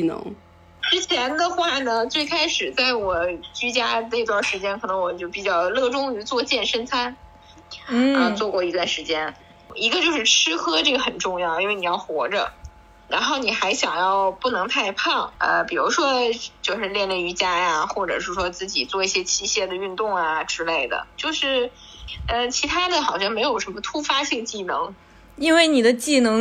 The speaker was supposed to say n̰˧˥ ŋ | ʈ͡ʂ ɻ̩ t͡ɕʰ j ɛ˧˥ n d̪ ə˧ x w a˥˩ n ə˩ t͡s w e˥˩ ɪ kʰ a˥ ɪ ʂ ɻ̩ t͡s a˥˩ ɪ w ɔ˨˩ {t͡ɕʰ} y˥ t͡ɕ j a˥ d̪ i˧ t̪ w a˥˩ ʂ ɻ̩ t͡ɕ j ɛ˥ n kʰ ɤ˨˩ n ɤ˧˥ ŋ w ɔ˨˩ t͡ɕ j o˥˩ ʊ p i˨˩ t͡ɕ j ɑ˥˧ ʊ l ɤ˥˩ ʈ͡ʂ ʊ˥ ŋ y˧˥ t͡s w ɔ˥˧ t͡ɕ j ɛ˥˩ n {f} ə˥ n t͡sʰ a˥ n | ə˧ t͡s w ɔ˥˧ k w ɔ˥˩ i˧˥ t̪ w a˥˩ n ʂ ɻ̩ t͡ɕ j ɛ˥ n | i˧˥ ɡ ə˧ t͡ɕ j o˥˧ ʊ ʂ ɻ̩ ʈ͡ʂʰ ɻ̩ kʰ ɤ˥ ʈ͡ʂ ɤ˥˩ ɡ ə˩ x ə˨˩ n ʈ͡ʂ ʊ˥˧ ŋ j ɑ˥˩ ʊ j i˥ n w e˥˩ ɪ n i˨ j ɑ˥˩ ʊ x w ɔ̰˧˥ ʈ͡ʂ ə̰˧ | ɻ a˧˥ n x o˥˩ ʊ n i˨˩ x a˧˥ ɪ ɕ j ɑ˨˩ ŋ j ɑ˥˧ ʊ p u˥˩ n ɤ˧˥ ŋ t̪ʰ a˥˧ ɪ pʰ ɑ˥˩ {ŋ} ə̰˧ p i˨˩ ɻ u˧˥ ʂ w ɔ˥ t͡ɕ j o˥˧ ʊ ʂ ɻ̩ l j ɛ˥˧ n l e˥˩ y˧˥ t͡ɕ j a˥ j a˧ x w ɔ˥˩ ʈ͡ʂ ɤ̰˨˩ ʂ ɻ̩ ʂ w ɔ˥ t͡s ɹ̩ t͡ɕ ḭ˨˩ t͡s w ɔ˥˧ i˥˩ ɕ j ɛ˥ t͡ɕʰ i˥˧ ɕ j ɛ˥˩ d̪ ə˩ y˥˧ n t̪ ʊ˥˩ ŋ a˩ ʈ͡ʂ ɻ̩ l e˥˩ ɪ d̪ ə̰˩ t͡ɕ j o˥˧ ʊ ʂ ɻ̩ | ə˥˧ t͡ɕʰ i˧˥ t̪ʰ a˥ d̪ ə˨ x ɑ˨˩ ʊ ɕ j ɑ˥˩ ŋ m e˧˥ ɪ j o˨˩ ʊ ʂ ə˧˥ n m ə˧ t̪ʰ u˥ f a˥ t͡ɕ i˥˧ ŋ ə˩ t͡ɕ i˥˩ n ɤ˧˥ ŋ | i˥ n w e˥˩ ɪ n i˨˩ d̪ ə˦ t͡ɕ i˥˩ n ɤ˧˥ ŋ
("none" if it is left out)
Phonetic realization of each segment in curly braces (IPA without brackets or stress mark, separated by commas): t͡ɕ, ʂ, ŋ